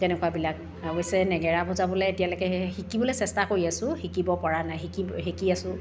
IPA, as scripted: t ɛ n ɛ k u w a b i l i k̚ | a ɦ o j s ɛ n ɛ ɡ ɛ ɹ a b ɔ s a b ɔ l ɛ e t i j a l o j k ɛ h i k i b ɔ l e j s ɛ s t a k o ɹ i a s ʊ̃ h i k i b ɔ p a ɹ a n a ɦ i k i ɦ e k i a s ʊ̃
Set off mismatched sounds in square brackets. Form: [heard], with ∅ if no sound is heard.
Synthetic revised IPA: t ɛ n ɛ k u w a b i l [a] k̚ | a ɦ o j s ɛ n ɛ ɡ ɛ ɹ a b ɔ [z] a b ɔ l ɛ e t i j a l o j k ɛ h i k i b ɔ l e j s ɛ s t a k o ɹ i a s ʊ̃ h i k i b ɔ p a ɹ a n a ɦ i k i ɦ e k i a s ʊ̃